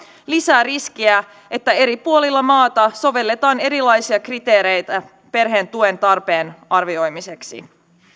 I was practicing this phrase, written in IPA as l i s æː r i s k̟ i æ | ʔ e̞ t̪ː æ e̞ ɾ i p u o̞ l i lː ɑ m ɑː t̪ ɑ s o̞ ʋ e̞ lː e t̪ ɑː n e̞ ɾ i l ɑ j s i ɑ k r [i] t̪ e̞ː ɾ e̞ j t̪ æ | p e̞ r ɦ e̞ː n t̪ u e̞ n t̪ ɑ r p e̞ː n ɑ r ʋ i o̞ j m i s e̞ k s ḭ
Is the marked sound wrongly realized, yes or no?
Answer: no